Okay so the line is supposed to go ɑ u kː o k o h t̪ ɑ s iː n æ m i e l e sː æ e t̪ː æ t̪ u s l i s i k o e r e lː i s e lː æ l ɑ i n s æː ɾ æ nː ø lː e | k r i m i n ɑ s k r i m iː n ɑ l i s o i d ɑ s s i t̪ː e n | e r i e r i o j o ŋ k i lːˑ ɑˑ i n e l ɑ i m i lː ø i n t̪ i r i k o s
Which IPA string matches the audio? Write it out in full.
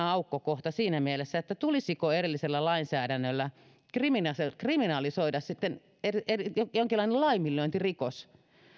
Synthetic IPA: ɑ u kː o k o h t̪ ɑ s iː n æ m i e l e sː æ e t̪ː æ t̪ u l i s i k o e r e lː i s e lː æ l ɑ i n s æː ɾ æ nː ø lː æ | k r i m i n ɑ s k r i m i n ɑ l i s o i d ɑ s s i t̪ː e n | e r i e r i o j o ŋ k i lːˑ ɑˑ i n e l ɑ i m i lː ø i n t̪ i r i k o s